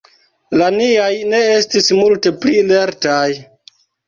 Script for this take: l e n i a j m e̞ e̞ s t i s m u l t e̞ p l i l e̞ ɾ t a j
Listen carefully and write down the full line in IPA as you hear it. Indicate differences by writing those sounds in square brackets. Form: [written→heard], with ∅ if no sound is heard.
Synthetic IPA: l [e→a] n i a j [m→n] e̞ e̞ s t i s m u l t e̞ p l i l e̞ ɾ t a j